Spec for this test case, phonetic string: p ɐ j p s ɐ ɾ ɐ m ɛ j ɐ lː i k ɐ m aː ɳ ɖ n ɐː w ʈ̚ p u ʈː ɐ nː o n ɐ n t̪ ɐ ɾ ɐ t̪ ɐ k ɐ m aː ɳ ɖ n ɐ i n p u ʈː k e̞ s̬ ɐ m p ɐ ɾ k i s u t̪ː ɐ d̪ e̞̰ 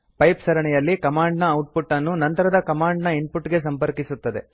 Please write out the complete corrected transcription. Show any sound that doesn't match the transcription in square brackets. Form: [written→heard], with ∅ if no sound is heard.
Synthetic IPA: p ɐ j p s ɐ ɾ ɐ [m→ɳ] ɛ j ɐ lː i k ɐ m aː ɳ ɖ n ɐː w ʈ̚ p u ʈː ɐ nː [o→u] n ɐ n t̪ ɐ ɾ ɐ [t̪→d̪] ɐ k ɐ m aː ɳ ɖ n ɐ i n p u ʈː [k→ɡ] e̞ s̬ ɐ m p ɐ ɾ k i s u t̪ː ɐ d̪ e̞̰